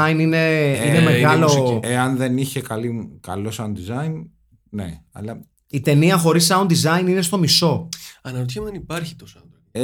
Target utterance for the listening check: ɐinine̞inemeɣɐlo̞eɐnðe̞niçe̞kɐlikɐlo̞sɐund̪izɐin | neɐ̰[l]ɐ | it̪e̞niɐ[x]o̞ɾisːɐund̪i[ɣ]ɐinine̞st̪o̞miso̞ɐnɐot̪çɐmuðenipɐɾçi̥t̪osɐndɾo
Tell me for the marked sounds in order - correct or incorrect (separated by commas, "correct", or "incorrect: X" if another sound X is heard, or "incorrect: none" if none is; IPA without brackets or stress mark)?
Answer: correct, correct, incorrect: z